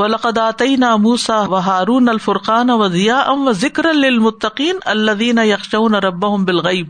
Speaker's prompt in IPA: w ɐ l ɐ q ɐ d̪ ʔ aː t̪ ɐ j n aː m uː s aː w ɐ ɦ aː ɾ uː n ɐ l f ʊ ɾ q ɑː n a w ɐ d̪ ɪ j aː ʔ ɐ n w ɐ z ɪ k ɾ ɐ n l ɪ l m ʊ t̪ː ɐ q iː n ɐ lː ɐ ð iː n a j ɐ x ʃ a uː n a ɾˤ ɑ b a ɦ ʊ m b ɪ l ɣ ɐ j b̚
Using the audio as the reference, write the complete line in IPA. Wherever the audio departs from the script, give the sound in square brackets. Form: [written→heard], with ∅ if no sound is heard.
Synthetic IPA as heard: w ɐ l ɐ q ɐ d̪ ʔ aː t̪ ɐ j n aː m uː s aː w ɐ ɦ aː ɾ uː n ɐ l f ʊ ɾ q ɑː n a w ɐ d̪ ɪ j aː ʔ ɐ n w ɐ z ɪ k ɾ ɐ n l ɪ l m ʊ t̪ː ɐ q iː n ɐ lː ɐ ð iː n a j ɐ x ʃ a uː n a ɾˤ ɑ [b→bː] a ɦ ʊ m b ɪ l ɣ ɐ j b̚